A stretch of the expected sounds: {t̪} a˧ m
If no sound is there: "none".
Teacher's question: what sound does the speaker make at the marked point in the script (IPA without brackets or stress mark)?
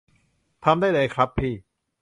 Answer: t̪ʰ